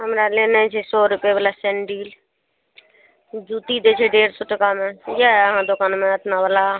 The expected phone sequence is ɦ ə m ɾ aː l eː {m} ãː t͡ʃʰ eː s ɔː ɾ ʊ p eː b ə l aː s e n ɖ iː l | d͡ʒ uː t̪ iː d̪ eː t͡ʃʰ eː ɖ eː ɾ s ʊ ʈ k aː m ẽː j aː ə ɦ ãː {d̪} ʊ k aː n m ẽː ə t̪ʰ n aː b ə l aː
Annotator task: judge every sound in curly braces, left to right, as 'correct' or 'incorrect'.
incorrect, correct

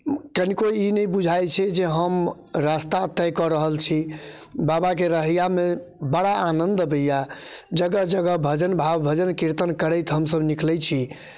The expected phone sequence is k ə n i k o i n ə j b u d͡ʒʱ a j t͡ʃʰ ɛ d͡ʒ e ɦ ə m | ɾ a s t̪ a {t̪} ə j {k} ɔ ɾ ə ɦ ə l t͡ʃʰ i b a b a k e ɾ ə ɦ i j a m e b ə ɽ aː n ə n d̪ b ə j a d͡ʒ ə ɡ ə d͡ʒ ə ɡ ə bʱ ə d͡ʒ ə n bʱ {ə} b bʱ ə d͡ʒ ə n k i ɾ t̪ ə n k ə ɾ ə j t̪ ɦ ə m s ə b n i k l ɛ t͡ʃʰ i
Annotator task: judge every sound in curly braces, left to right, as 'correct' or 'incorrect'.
correct, correct, incorrect

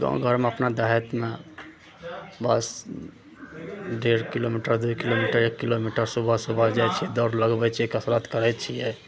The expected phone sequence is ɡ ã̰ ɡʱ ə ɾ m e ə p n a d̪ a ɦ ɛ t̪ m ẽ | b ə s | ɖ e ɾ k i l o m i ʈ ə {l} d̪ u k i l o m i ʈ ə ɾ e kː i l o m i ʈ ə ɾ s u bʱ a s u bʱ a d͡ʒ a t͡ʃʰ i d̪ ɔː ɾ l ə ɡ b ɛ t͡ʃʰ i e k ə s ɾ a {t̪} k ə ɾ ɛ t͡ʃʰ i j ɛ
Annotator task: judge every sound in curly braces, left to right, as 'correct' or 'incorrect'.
incorrect, correct

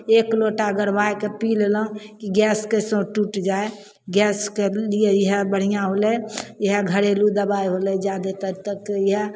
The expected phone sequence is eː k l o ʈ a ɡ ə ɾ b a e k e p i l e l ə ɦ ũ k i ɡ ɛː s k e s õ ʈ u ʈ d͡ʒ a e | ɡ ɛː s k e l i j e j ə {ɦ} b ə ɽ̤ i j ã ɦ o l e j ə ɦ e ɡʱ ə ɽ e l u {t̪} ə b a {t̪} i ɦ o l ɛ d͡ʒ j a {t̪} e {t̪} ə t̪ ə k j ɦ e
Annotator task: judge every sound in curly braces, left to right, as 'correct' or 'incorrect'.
correct, incorrect, incorrect, incorrect, correct

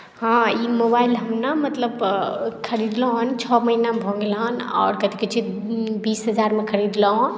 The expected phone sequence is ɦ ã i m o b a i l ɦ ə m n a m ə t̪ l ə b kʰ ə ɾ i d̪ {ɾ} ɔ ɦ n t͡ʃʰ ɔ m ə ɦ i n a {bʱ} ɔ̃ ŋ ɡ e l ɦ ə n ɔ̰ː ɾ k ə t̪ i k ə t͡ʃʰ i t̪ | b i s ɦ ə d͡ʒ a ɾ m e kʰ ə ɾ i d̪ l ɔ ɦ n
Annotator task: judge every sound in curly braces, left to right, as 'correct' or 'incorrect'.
incorrect, correct

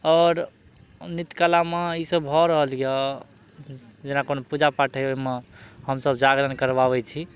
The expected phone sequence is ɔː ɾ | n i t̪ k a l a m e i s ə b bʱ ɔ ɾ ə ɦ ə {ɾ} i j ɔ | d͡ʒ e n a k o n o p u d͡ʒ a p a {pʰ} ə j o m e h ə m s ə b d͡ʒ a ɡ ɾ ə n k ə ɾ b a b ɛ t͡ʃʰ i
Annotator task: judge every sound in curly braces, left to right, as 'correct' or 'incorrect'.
incorrect, incorrect

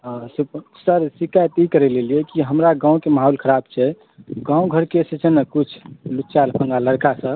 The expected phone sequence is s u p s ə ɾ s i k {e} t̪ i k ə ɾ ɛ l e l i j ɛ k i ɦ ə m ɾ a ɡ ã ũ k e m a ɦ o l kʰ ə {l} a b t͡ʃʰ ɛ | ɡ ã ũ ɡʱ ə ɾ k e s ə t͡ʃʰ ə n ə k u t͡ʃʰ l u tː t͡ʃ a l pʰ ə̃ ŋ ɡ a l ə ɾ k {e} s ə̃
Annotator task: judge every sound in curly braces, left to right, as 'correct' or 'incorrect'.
incorrect, incorrect, incorrect

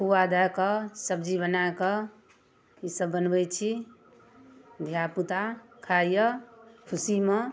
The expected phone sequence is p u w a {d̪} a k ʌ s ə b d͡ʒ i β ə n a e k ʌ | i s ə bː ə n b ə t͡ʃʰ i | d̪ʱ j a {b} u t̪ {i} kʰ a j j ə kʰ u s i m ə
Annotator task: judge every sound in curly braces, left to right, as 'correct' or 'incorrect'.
correct, incorrect, incorrect

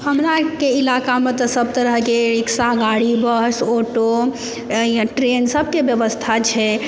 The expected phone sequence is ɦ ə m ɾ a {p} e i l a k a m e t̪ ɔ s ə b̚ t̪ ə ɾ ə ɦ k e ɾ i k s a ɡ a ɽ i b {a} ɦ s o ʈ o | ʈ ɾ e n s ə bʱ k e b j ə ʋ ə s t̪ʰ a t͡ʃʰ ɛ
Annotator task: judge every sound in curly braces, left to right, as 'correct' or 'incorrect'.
incorrect, incorrect

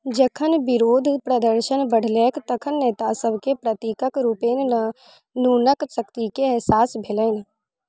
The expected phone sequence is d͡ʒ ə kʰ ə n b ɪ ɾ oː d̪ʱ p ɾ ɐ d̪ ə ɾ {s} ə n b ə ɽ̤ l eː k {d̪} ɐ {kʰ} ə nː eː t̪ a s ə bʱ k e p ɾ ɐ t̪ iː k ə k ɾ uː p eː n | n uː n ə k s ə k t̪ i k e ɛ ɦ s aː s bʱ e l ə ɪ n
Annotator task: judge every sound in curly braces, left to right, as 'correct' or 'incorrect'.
incorrect, incorrect, correct

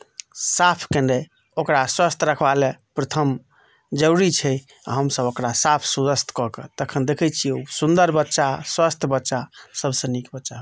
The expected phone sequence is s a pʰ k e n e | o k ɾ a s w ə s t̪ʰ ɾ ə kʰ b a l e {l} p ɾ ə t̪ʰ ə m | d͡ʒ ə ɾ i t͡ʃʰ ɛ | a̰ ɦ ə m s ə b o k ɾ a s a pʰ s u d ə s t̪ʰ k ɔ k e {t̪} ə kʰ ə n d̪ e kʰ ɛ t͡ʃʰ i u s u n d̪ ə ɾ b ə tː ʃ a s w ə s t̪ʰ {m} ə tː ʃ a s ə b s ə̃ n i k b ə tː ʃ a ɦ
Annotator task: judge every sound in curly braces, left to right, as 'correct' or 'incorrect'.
incorrect, correct, incorrect

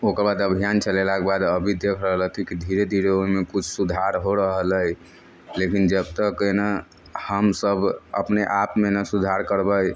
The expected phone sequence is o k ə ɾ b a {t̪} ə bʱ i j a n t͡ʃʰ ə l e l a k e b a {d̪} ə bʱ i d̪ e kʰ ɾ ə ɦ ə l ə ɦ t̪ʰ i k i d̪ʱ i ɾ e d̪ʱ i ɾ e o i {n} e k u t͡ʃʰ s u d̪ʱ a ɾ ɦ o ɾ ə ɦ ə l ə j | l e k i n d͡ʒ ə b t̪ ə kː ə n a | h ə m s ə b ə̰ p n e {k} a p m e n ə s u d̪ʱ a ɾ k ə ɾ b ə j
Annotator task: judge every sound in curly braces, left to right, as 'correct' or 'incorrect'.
incorrect, correct, incorrect, incorrect

